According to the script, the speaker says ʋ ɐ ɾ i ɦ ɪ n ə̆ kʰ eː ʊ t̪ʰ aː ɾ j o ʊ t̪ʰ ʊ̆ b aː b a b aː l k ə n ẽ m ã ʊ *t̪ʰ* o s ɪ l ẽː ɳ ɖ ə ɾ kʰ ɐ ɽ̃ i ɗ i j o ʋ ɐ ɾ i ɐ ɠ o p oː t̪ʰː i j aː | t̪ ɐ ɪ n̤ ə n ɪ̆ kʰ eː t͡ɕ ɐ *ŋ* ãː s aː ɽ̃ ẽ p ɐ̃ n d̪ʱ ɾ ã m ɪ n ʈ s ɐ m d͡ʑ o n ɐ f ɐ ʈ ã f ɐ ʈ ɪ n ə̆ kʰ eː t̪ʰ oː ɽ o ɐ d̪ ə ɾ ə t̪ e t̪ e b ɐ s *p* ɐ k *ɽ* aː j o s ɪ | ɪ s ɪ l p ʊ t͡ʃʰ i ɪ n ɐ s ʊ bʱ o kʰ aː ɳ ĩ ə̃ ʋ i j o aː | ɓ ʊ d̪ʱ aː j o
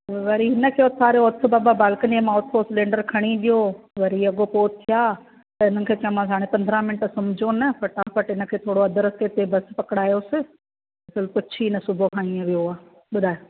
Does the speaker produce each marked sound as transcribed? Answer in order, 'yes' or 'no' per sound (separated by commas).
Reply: yes, no, yes, yes